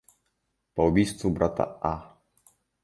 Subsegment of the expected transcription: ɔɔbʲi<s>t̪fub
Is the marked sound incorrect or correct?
correct